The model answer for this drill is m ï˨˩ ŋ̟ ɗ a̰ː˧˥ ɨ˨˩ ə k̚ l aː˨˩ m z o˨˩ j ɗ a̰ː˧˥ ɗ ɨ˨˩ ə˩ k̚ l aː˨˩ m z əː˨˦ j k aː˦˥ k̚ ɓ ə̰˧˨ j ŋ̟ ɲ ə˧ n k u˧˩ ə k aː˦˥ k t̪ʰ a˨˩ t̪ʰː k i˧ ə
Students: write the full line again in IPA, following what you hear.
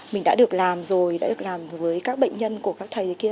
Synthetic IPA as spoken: m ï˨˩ ŋ̟ ɗ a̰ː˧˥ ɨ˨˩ ə k̚ l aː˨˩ m z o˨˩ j ɗ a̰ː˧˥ ɗ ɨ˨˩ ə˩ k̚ l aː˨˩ m v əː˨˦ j k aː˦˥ k̚ ɓ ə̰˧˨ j ŋ̟ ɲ ə˧ n k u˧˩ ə k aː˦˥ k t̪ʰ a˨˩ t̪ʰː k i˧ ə